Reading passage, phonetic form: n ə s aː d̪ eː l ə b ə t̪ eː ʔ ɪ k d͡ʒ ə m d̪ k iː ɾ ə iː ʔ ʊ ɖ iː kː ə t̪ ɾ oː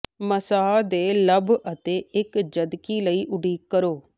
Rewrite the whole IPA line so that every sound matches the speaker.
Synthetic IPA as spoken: m ə s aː d̪ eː l ə b ə t̪ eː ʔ ɪ k d͡ʒ ə d̪ k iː l ə iː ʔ ʊ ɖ iː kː ə ɾ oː